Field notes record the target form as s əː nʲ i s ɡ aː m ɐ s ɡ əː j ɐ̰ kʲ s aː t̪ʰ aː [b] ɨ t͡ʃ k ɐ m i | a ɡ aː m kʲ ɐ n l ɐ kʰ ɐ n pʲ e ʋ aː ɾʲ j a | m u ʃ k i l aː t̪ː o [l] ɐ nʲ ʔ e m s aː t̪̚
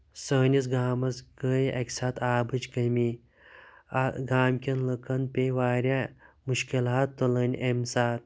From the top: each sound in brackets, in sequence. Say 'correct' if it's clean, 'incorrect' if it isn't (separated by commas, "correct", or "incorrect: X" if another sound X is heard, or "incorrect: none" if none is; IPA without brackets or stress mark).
correct, correct